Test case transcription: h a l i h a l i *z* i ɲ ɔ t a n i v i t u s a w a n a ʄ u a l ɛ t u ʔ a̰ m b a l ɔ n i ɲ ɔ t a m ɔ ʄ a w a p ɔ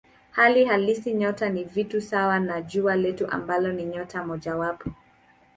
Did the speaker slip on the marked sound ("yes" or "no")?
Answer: yes